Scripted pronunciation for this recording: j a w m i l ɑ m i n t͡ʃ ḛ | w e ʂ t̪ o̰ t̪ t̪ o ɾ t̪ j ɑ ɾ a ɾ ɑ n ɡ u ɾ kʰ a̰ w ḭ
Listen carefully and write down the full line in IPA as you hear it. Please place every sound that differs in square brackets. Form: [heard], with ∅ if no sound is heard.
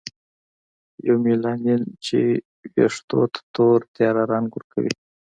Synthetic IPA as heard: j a w m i l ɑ [n] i n t͡ʃ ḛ | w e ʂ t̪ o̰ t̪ t̪ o ɾ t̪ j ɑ ɾ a ɾ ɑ n ɡ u ɾ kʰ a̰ w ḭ